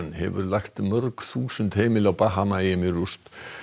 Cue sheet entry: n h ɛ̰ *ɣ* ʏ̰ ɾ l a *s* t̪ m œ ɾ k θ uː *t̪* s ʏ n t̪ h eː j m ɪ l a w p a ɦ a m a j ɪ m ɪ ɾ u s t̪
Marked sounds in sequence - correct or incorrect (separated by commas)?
incorrect, incorrect, incorrect